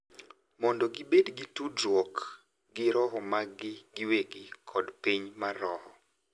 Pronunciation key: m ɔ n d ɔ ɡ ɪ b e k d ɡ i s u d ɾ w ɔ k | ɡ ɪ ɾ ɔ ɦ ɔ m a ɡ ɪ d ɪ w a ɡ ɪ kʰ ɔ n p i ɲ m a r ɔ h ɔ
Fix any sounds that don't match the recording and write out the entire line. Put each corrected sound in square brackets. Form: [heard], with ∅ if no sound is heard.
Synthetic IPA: m ɔ n d ɔ ɡ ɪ b e [∅] d ɡ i [t] u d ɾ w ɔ k | ɡ ɪ ɾ ɔ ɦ ɔ m a ɡ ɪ [ɡ] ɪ w [e] ɡ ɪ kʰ ɔ [d] p i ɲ m a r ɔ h ɔ